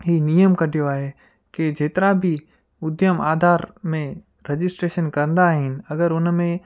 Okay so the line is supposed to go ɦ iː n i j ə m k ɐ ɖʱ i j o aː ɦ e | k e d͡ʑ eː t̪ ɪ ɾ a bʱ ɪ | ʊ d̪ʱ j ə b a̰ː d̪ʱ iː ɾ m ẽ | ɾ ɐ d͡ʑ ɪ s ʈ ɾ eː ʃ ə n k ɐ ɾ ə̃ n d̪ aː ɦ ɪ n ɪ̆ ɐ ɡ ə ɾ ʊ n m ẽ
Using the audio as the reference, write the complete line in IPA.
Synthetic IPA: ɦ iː n i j ə m k ɐ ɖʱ i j o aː ɦ e | k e d͡ʑ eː t̪ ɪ ɾ a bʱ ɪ | ʊ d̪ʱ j ə m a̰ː d̪ʱ aː ɾ m ẽ | ɾ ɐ d͡ʑ ɪ s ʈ ɾ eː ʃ ə n k ɐ ɾ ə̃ n d̪ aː ɦ ɪ n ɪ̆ ɐ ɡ ə ɾ ʊ n m ẽ

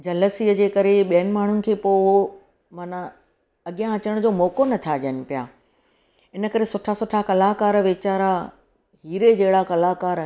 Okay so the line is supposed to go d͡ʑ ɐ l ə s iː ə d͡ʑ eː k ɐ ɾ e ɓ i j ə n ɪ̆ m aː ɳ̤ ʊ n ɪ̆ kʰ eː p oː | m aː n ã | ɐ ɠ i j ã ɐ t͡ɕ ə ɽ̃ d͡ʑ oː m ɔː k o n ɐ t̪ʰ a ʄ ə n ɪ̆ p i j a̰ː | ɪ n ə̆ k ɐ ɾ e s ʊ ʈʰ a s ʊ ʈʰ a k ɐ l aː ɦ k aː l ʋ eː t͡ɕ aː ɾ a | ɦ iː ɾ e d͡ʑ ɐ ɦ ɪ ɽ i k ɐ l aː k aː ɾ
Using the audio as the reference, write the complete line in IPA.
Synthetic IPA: d͡ʑ ɐ l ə s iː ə d͡ʑ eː k ɐ ɾ e ɓ i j ə n ɪ̆ m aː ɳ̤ ʊ n ɪ̆ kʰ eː p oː | m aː n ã | ɐ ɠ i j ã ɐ t͡ɕ ə ɽ̃ d͡ʑ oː m ɔː k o n ɐ t̪ʰ a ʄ ə n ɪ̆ p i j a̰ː | ɪ n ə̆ k ɐ ɾ e s ʊ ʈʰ a s ʊ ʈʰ a k ɐ l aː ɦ k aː ɾ ʋ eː t͡ɕ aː ɾ a | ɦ iː ɾ e d͡ʑ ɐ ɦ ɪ ɽ a k ɐ l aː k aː ɾ

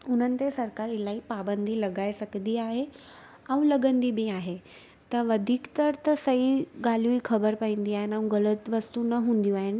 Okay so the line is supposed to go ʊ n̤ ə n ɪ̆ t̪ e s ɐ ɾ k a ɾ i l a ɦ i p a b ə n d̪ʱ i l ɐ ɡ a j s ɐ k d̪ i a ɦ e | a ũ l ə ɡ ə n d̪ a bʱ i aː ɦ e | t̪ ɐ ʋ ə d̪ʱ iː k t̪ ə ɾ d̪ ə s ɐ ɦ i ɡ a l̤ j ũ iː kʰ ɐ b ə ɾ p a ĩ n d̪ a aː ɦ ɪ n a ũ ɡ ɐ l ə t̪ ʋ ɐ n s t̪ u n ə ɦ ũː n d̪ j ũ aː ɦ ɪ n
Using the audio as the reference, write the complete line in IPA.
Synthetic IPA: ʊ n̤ ə n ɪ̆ t̪ e s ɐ ɾ k a ɾ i l a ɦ i p a b ə n d̪ʱ i l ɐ ɡ a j s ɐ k d̪ i a ɦ e | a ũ l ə ɡ ə n d̪ i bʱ i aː ɦ e | t̪ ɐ ʋ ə d̪ʱ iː k t̪ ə ɾ t̪ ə s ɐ ɦ i ɡ a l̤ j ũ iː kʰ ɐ b ə ɾ p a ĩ n d̪ i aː ɦ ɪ n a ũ ɡ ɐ l ə t̪ ʋ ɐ s t̪ u n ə ɦ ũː n d̪ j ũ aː ɦ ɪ n

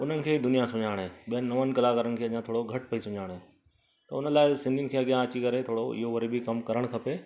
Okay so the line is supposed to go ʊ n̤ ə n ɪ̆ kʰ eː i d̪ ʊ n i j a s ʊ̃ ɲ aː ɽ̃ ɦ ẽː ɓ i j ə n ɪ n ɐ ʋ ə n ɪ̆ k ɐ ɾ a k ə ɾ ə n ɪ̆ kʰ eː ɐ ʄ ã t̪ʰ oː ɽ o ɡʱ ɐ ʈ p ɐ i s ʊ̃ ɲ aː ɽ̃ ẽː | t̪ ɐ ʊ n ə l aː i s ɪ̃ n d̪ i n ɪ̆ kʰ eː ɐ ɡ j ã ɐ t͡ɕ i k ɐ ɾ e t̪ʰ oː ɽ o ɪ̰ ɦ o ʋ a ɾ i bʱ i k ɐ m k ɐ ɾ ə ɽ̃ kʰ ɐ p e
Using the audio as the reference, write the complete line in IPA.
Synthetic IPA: ʊ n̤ ə n ɪ̆ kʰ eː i d̪ ʊ n i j a s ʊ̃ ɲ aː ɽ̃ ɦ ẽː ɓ i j ə n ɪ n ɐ ʋ ə n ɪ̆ k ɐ l a k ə ɾ ə n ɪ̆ kʰ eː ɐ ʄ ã t̪ʰ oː ɽ o ɡʱ ɐ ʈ p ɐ i s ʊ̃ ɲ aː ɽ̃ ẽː | t̪ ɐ ʊ n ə l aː ɪ s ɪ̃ n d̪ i n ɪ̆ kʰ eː ɐ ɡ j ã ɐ t͡ɕ i k ɐ ɾ e t̪ʰ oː ɽ o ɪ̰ ɦ o ʋ ɐ ɾ i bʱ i k ɐ m k ɐ ɾ ə ɽ̃ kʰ ɐ p e

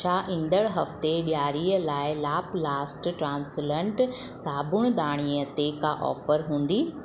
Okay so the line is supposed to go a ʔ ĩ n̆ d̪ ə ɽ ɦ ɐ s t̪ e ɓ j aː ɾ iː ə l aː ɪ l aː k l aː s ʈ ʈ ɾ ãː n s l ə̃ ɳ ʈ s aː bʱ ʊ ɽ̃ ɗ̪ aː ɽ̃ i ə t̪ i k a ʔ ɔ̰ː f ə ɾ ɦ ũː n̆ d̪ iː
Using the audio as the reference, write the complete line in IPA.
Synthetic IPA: a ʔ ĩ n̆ d̪ ə ɽ ɦ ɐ f t̪ e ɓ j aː ɾ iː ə l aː ɪ l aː p l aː s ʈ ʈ ɾ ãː n s l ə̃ ɳ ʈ s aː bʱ ʊ ɽ̃ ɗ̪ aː ɽ̃ i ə t̪ e k a ʔ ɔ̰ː f ə ɾ ɦ ũː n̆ d̪ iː

